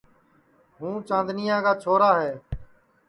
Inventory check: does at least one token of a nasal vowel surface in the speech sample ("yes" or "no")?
yes